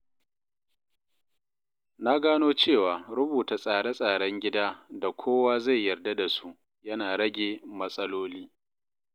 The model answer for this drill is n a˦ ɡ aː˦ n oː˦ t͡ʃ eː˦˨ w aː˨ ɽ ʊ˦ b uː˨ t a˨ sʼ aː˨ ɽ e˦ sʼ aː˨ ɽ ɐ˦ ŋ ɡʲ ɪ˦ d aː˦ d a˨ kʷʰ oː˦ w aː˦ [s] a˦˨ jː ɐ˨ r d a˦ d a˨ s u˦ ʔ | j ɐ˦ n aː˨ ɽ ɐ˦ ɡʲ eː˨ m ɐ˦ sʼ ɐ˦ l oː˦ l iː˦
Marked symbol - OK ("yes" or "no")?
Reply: no